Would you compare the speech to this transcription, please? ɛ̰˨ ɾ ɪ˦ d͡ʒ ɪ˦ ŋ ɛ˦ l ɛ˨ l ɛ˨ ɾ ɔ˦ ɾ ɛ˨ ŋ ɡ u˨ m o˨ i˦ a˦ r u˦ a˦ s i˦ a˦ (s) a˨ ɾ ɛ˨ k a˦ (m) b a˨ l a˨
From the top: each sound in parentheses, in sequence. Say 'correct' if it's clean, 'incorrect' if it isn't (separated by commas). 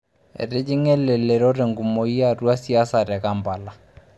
correct, correct